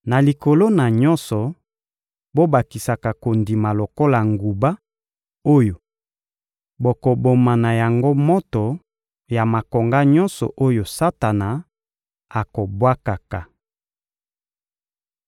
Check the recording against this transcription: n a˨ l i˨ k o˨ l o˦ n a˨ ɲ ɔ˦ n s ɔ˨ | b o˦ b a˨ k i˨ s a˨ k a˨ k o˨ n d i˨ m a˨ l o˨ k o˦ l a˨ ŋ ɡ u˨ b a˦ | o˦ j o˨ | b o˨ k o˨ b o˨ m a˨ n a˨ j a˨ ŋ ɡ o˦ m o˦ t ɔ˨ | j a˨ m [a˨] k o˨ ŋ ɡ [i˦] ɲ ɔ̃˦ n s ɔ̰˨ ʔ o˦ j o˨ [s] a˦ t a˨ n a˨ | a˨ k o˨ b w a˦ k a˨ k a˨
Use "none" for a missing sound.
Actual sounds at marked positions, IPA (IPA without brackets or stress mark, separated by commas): a˨, a˦, s